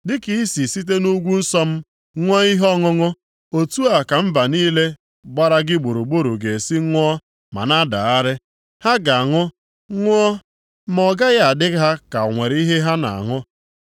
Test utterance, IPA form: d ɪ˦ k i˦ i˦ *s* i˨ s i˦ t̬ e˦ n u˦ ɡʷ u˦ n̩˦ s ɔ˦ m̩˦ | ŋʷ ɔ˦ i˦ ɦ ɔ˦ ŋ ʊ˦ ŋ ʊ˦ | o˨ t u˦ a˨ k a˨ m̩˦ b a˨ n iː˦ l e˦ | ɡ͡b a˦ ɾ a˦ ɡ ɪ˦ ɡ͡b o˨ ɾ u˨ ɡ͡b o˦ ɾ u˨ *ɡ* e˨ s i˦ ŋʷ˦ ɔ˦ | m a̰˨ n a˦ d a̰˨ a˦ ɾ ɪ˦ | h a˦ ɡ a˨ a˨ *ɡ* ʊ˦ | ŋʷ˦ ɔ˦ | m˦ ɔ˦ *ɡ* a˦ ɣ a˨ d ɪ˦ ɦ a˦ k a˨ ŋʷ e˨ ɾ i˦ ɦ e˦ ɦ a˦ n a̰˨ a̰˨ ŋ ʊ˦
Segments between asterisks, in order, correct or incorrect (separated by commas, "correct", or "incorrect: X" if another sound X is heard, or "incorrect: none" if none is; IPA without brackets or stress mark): correct, correct, incorrect: ŋ, correct